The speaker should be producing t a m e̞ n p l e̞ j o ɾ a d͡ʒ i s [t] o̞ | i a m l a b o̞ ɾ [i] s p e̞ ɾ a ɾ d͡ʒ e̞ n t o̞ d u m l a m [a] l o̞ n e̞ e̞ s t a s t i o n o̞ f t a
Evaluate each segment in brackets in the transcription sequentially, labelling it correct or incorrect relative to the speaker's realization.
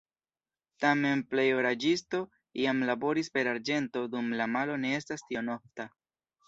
correct, correct, correct

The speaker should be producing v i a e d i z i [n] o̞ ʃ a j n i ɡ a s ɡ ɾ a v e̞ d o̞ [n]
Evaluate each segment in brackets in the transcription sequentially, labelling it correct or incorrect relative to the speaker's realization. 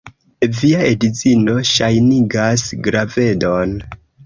correct, correct

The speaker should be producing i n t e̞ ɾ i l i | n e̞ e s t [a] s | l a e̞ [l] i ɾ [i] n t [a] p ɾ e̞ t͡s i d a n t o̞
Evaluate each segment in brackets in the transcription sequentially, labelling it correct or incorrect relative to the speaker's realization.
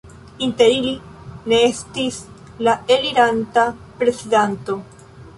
incorrect: i, correct, incorrect: a, correct

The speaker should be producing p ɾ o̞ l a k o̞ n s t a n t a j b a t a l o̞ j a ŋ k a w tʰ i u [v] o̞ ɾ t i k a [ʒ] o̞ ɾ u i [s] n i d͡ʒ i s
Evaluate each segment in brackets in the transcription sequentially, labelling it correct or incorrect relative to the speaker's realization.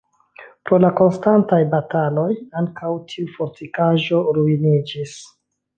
incorrect: f, correct, incorrect: none

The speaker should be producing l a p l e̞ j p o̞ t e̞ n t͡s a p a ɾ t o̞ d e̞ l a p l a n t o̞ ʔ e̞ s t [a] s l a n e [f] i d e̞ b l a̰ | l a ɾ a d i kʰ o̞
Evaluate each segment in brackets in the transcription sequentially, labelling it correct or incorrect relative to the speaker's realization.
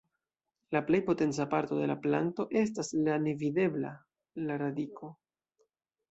correct, incorrect: v

